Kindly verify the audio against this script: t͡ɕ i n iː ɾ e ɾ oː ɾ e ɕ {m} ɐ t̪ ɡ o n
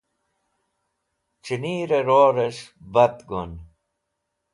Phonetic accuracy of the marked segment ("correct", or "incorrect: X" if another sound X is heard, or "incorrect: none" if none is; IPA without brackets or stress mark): incorrect: b